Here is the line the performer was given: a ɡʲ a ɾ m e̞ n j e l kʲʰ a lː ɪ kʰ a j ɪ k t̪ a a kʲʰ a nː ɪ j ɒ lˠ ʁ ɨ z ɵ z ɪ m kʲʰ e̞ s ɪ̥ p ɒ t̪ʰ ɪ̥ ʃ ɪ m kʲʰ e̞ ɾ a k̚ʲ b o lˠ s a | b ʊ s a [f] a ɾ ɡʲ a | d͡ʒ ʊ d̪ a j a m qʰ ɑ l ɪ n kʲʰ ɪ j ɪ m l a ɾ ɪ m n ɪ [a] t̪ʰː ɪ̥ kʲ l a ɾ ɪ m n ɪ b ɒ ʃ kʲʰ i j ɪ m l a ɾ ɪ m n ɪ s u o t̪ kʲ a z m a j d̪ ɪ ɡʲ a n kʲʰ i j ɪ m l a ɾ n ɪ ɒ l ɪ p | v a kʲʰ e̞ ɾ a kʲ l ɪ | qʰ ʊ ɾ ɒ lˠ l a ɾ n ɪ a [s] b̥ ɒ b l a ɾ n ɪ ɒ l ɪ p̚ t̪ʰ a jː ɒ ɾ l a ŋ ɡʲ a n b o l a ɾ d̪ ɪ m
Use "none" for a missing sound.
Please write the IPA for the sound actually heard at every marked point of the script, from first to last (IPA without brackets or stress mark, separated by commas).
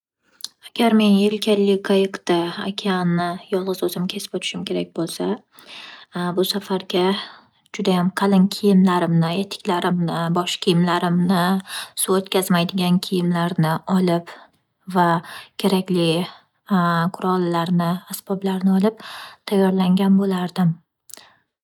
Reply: f, e, s